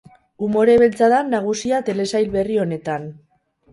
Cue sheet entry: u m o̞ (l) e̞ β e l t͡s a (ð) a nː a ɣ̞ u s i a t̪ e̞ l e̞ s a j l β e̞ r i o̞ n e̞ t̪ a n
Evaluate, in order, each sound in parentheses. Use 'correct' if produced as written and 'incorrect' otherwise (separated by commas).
incorrect, correct